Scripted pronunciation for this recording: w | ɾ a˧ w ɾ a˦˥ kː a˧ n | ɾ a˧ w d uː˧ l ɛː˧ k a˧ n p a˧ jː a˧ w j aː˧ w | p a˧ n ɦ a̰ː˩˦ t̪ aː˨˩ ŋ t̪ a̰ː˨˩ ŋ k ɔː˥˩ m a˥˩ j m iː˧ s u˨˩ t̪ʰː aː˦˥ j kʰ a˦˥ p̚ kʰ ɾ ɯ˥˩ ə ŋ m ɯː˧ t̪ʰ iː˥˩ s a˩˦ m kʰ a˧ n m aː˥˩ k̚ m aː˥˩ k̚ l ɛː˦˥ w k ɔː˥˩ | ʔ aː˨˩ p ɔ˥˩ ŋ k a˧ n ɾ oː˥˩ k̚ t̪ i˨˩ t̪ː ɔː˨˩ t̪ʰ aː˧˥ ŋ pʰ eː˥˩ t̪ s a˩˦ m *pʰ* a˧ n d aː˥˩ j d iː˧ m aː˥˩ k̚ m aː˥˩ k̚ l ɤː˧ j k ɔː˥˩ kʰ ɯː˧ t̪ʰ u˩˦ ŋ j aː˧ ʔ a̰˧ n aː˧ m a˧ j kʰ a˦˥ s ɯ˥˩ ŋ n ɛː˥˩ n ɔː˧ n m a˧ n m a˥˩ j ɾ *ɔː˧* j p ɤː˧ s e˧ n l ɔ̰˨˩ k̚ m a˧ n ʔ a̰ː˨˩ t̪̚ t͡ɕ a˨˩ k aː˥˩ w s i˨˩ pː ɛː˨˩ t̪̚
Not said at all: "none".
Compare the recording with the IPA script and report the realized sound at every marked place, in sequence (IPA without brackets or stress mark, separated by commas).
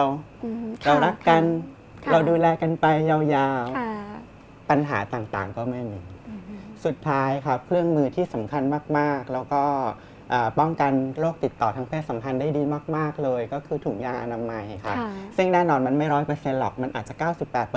kʰ, ɔː˦˥